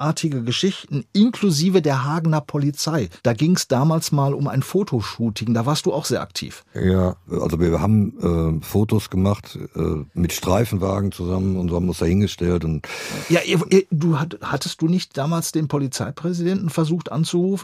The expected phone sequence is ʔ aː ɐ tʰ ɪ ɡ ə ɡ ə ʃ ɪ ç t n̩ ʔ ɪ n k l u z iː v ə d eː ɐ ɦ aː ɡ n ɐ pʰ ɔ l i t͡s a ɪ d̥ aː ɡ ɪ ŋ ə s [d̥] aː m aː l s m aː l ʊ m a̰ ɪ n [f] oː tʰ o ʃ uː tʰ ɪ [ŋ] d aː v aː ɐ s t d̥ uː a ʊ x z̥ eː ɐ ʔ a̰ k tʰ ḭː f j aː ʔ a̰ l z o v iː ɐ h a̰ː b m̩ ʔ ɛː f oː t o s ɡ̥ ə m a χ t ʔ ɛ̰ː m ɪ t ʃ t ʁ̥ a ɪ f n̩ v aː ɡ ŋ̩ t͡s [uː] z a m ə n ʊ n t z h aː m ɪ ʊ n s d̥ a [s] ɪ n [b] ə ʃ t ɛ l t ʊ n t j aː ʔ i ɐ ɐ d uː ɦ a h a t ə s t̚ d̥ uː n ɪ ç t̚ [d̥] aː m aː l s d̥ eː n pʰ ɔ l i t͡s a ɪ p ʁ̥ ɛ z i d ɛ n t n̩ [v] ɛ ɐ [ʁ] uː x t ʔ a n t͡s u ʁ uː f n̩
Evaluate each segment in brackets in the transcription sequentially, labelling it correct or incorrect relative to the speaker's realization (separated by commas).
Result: correct, correct, correct, incorrect, incorrect, incorrect, correct, incorrect, incorrect